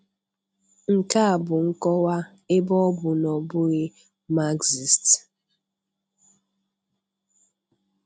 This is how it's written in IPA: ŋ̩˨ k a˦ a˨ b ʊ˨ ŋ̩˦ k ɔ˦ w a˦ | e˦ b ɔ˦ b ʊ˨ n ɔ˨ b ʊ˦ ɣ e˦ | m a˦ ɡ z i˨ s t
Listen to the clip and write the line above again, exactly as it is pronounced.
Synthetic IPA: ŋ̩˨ k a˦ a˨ b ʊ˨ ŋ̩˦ k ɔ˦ w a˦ | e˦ b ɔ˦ b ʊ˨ n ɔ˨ b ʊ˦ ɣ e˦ | m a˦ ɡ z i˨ s t